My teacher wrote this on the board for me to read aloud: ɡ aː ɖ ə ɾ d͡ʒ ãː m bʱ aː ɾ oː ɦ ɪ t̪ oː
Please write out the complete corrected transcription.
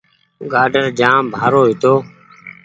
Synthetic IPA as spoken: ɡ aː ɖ ə ɾ d͡ʒ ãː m bʱ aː ɾ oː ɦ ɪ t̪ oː